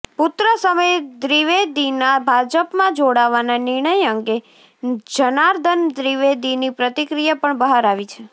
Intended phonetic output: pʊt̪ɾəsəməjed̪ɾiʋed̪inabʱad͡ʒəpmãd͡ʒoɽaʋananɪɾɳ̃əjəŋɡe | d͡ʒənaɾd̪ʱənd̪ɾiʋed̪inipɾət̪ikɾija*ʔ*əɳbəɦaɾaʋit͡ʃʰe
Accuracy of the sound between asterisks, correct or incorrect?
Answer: incorrect